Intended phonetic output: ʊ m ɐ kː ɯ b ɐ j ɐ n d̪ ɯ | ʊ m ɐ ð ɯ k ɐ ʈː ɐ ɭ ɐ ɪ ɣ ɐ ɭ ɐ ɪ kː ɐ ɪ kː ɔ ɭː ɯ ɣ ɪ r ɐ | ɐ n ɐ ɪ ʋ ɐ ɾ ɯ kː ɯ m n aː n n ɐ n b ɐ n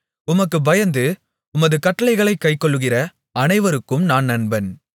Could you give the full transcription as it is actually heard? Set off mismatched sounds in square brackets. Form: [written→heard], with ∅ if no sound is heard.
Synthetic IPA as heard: ʊ m ɐ kː ɯ b ɐ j ɐ n d̪ ɯ | ʊ m ɐ ð ɯ k ɐ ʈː ɐ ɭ ɐ ɪ ɣ ɐ ɭ ɐ ɪ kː ɐ ɪ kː ɔ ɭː ɯ ɣ ɪ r ɐ | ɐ n ɐ ɪ ʋ ɐ ɾ ɯ kː ɯ m n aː n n ɐ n b ɐ n